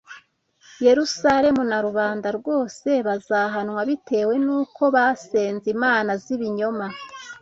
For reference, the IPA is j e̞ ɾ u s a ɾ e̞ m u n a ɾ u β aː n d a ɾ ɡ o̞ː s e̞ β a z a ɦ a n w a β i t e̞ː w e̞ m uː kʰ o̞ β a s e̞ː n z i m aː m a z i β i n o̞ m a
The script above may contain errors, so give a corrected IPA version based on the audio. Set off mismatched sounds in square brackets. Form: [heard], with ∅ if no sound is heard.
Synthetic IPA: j e̞ ɾ u s a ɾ e̞ m u n a ɾ u β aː n d a ɾ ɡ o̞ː s e̞ β a z a ɦ a n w a β i t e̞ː w e̞ [n] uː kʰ o̞ β a s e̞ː n z i m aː [n] a z i β i [ɲ] o̞ m a